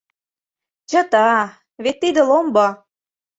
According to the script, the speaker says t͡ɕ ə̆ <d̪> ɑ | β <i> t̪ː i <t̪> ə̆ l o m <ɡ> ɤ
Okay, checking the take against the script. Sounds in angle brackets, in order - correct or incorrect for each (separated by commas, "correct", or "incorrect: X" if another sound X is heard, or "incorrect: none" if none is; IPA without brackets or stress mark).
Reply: incorrect: t̪, incorrect: e, incorrect: d̪, incorrect: b